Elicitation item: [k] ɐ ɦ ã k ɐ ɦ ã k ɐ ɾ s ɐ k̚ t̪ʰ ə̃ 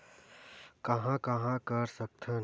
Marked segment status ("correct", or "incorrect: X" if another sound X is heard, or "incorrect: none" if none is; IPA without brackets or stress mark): correct